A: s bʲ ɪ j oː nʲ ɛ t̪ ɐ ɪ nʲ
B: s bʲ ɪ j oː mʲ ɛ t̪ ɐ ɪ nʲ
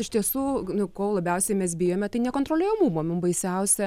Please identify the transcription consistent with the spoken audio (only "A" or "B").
B